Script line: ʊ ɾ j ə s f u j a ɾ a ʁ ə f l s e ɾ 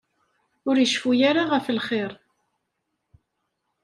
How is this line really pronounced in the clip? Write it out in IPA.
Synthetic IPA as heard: ʊ ɾ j ə ʃ f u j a ɾ a ʁ ə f l χ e ɾ